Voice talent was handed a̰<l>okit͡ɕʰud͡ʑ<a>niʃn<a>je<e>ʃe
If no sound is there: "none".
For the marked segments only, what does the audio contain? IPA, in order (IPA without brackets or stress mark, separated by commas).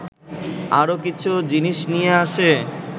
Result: ɾ, i, i, a